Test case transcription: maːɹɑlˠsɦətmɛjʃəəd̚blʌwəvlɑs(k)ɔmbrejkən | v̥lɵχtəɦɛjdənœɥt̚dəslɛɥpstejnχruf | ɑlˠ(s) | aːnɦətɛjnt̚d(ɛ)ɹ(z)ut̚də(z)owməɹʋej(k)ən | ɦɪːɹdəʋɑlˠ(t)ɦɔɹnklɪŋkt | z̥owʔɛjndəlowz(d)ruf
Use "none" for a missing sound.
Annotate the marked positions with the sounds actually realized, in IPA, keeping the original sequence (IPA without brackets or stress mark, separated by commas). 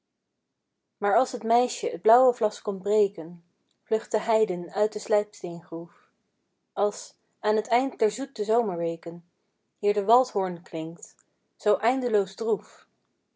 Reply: k, s, ɛ, z, z, k, t, d